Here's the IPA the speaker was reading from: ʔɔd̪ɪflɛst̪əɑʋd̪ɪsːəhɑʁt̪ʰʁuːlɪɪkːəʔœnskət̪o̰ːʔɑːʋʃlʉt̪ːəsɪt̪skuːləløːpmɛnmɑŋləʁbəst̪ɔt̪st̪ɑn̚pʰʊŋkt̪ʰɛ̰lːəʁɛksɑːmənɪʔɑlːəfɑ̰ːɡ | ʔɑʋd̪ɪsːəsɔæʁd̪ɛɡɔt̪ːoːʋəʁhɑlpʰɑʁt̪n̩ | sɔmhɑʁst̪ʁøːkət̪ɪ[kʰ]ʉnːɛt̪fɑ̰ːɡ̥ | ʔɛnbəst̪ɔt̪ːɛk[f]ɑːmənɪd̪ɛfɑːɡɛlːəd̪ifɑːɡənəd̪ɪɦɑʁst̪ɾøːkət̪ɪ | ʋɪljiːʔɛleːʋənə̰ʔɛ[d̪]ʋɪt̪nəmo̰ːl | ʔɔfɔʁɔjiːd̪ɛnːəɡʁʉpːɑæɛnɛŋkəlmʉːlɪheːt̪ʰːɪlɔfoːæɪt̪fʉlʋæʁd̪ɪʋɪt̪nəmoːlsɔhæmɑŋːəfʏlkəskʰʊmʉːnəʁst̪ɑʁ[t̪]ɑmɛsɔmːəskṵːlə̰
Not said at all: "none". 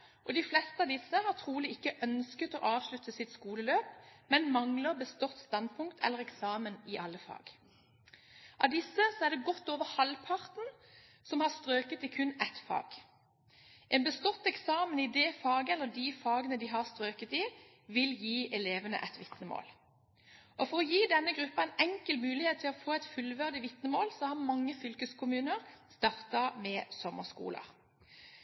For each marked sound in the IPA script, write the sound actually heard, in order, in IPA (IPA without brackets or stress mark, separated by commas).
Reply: kʰ, s, t̪, t̪